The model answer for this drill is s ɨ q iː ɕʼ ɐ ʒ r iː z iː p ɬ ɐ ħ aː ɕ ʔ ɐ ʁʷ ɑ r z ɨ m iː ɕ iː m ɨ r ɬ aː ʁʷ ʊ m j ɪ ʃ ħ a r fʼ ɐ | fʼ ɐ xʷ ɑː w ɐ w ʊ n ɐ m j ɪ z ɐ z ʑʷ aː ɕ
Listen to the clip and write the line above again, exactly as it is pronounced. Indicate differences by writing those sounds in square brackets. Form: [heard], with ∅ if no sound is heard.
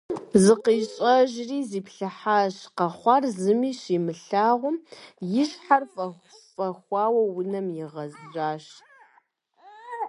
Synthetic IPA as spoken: [z] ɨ q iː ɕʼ ɐ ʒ r iː z iː p ɬ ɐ ħ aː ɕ [q] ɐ [χʷ] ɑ r z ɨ m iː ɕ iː m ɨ [∅] ɬ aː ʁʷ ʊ m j ɪ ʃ ħ a r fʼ ɐ | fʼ ɐ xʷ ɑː w ɐ w ʊ n ɐ m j ɪ [ʁ] ɐ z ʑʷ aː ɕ